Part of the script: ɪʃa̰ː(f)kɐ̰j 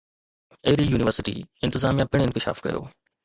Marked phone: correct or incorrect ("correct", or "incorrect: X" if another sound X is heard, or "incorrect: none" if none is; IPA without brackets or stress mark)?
correct